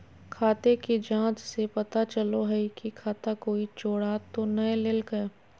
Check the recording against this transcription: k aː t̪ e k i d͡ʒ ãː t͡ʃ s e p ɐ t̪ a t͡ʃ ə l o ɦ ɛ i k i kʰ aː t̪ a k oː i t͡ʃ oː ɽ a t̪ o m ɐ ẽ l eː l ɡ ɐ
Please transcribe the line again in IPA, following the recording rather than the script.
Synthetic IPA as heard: kʰ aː t̪ e k i d͡ʒ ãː t͡ʃ s e p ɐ t̪ a t͡ʃ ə l o ɦ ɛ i k i kʰ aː t̪ a k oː i t͡ʃ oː ɽ a t̪ o n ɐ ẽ l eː l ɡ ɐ